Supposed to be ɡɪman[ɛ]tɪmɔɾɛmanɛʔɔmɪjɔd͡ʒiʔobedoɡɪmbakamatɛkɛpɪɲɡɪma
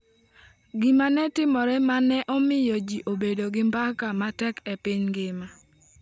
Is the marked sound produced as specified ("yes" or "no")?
yes